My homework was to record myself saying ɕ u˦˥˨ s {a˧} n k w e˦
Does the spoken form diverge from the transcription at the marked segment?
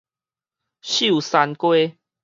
no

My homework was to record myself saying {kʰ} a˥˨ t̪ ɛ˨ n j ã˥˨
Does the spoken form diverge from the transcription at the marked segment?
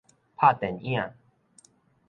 yes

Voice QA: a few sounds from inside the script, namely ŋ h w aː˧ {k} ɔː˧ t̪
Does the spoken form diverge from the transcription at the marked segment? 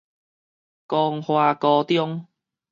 no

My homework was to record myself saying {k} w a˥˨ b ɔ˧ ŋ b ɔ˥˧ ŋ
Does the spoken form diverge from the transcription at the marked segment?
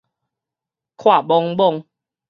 yes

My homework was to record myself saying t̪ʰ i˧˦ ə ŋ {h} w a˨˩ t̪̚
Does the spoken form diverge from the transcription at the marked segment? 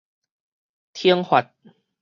no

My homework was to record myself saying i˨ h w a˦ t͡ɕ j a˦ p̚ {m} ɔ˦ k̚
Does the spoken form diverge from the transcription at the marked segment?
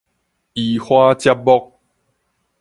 yes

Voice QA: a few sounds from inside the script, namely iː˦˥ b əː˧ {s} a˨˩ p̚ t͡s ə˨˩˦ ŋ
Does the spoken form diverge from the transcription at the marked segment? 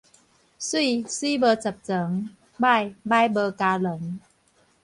yes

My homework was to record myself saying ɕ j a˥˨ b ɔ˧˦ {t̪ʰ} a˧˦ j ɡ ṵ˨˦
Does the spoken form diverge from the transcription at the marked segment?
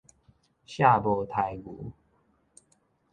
no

